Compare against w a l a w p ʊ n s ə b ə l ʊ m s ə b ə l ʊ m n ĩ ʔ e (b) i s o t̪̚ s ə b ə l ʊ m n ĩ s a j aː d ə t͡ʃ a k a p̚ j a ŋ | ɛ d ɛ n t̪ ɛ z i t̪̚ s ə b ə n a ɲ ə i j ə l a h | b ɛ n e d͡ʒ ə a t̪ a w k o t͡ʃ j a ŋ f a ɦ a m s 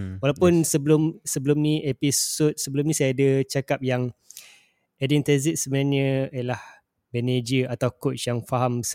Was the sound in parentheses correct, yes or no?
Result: no